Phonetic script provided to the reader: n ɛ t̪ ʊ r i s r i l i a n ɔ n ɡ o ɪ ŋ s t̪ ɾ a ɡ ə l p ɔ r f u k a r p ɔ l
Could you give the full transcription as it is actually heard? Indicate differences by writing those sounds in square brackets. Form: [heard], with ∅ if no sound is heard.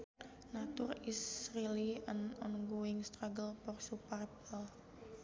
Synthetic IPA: n [a] t̪ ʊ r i s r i l i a n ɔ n ɡ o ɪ ŋ s t̪ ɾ a ɡ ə l p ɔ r [s] u [p] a r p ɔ l